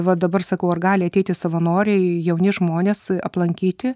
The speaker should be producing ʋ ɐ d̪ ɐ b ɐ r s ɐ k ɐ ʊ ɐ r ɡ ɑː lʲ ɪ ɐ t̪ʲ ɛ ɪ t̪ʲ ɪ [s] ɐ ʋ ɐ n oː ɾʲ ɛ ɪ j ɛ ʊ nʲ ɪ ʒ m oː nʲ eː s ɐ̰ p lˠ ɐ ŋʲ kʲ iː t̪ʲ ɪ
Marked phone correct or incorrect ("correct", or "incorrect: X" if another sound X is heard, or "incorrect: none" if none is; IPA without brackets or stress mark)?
correct